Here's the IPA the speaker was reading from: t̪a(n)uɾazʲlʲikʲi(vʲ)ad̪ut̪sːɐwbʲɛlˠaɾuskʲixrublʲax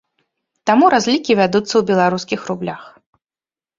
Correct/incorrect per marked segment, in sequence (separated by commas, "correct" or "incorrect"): incorrect, correct